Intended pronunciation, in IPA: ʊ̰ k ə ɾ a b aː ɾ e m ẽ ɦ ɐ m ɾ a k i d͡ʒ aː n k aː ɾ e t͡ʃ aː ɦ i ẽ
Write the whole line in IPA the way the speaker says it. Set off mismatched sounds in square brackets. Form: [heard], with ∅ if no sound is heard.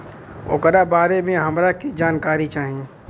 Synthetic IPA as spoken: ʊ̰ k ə ɾ a b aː ɾ e m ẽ ɦ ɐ m ɾ a k i d͡ʒ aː n k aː ɾ [i] t͡ʃ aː ɦ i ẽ